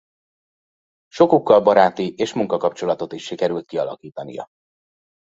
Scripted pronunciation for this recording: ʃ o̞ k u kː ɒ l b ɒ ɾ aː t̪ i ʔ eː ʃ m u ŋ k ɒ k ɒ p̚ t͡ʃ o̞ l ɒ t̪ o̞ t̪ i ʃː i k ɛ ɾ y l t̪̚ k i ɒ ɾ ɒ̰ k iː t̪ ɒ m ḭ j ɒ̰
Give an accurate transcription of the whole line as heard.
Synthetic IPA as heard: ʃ o̞ k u kː ɒ l b ɒ ɾ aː t̪ i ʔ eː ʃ m u ŋ k ɒ k ɒ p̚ t͡ʃ o̞ l ɒ t̪ o̞ t̪ i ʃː i k ɛ ɾ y l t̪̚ k i ɒ l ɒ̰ k iː t̪ ɒ n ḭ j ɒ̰